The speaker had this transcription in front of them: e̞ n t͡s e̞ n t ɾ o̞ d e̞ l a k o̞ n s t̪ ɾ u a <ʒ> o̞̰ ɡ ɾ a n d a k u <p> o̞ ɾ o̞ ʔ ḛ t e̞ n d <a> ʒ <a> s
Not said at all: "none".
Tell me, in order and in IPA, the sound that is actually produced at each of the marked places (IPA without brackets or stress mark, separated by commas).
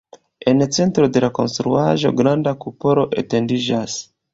ʒ, p, i, a